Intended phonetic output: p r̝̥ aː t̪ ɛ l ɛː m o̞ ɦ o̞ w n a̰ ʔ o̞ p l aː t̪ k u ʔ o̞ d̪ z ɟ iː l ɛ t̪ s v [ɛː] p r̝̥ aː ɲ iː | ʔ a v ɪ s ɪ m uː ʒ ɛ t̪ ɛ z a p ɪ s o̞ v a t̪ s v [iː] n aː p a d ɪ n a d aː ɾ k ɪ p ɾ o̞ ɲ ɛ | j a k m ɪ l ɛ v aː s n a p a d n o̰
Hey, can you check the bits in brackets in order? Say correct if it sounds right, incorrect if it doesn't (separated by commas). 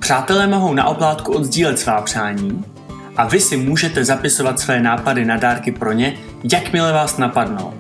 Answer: incorrect, incorrect